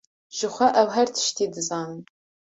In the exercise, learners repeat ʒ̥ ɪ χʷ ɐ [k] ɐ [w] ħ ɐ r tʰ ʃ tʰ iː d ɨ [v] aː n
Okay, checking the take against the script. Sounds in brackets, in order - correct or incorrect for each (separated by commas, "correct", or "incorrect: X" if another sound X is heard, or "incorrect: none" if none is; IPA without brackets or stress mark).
incorrect: ʔ, correct, incorrect: z